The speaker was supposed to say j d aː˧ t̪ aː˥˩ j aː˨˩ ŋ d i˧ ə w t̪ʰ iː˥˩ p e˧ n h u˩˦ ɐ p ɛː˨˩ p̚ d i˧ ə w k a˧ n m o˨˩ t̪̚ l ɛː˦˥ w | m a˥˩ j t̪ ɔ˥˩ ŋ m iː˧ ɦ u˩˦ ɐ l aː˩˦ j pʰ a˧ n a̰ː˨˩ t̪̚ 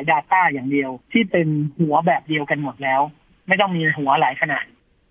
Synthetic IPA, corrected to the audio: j d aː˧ t̪ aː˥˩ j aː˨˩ ŋ d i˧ ə w t̪ʰ iː˥˩ p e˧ n h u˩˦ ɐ b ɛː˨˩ p̚ d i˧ ə w k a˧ n m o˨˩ t̪̚ l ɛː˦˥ w | m a˥˩ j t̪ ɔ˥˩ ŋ m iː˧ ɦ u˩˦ ɐ l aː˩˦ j kʰ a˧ n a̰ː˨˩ t̪̚